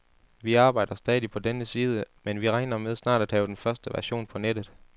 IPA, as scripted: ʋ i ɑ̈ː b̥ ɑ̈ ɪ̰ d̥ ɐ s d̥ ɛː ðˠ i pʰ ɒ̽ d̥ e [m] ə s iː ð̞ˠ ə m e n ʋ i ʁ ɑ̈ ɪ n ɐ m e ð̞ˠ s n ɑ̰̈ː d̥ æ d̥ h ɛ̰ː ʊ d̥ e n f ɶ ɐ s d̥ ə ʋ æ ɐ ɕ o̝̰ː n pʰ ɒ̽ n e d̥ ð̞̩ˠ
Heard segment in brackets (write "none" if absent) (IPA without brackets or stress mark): n